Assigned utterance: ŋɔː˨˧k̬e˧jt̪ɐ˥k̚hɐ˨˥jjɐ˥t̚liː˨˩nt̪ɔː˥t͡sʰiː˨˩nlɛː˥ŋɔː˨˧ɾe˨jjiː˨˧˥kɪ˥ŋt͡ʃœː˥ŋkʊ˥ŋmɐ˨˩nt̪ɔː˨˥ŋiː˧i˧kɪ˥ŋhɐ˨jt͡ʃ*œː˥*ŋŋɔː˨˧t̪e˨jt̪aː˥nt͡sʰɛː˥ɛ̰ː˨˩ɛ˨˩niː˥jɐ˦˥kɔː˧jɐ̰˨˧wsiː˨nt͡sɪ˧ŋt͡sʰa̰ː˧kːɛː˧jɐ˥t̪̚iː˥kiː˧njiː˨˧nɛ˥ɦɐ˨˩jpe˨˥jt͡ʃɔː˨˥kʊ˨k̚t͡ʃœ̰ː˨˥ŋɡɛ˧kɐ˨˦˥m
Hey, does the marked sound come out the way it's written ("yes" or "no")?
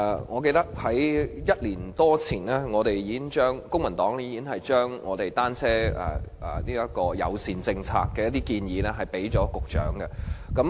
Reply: yes